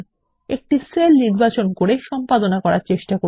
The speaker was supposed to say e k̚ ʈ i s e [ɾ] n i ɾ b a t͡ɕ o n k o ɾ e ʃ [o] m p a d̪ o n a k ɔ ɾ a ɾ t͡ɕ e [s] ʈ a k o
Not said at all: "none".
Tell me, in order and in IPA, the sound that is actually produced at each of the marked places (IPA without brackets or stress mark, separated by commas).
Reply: l, ɔ, ʃ